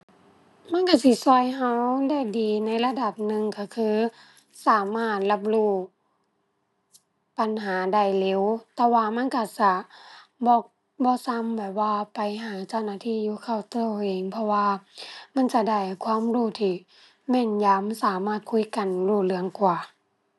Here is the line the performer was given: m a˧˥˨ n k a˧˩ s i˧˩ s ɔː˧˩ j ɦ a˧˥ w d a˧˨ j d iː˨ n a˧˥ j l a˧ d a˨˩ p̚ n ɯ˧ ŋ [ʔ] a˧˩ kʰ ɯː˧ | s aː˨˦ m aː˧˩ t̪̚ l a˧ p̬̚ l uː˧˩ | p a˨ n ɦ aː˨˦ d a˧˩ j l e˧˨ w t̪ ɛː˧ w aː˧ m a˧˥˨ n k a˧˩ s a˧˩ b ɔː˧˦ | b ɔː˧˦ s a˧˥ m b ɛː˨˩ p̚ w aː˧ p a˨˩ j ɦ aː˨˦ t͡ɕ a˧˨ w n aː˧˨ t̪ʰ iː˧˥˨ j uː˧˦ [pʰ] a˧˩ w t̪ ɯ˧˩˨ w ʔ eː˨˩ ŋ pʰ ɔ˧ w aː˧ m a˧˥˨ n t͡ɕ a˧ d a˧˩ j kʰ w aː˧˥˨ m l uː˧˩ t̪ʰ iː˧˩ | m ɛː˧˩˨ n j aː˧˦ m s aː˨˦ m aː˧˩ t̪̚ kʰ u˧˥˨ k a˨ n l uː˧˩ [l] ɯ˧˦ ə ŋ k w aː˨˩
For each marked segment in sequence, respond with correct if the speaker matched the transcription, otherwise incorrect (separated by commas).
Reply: incorrect, incorrect, correct